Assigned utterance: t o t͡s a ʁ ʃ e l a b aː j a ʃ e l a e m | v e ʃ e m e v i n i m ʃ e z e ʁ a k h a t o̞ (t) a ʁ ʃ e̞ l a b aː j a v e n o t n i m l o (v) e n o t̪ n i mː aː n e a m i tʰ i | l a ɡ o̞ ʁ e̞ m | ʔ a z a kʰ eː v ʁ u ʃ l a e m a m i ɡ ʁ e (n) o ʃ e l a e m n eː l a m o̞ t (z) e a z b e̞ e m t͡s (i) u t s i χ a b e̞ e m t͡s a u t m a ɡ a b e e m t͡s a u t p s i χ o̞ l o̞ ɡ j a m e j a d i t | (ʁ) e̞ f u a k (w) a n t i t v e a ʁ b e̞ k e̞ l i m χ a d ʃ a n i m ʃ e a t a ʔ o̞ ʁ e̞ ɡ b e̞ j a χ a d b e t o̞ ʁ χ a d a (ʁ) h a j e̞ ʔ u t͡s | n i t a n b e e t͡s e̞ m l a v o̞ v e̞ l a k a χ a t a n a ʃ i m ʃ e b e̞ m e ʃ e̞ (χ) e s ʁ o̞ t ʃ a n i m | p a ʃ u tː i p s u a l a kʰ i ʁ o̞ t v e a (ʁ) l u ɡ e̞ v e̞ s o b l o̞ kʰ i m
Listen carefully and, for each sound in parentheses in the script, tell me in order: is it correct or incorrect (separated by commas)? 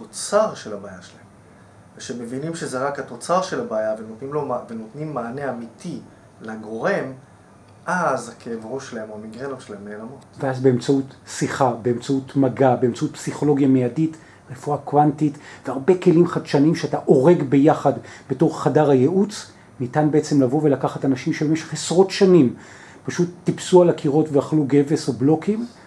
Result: incorrect, correct, correct, incorrect, incorrect, correct, correct, correct, correct, incorrect